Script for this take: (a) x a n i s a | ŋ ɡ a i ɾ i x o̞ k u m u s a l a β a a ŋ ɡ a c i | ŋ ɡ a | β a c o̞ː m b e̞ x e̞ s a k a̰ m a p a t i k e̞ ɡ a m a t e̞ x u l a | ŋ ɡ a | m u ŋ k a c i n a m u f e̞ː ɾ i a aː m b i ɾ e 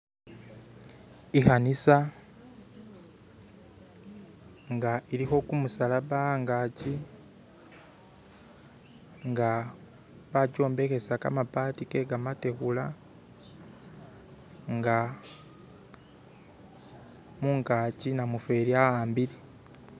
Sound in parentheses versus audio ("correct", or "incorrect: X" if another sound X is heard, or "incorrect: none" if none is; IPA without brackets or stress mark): incorrect: i